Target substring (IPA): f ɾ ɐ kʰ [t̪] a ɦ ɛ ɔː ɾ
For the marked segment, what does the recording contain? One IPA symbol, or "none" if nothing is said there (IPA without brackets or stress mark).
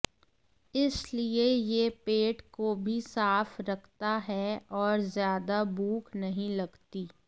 t̪